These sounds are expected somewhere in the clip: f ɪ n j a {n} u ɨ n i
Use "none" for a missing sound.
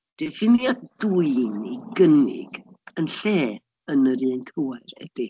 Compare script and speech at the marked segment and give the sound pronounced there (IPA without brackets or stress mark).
d